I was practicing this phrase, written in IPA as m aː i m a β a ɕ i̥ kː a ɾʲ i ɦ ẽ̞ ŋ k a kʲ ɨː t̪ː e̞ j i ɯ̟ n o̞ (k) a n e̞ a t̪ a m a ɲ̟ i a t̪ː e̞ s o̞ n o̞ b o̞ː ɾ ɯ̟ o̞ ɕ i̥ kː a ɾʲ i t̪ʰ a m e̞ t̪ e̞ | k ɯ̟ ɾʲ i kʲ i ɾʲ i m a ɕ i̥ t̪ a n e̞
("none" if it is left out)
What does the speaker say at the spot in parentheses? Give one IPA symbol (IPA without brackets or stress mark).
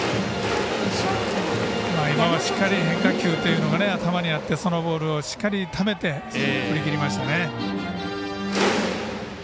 ɡ